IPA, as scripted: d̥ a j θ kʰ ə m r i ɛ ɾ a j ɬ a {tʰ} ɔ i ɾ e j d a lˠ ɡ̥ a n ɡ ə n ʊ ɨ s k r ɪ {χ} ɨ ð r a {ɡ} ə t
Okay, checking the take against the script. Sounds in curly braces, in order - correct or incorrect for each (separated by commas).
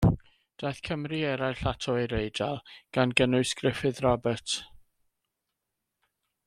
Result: correct, incorrect, incorrect